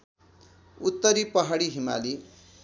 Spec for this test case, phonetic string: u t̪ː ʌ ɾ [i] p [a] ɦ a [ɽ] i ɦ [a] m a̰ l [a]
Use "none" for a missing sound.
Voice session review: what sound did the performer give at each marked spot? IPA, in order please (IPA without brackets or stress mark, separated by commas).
i, ʌ, ɽ, i, i